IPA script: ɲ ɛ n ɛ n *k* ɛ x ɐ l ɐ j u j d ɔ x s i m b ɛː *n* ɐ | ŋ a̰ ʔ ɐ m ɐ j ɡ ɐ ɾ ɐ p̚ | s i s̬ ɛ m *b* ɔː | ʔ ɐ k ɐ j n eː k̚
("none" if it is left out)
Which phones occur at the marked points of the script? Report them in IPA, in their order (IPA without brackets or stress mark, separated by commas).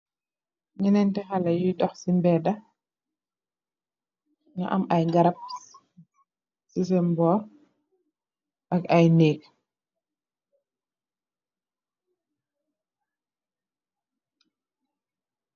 t, d, b